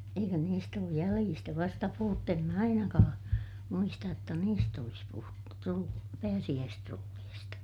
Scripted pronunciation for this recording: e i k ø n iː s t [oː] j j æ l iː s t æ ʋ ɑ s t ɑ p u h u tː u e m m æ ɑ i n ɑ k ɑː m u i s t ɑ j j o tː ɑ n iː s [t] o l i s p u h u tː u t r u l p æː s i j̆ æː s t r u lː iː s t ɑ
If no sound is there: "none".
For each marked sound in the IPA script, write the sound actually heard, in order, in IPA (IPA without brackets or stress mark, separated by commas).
oː, t